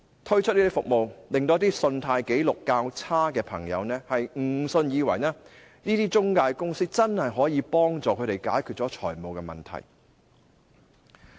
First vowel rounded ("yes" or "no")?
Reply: yes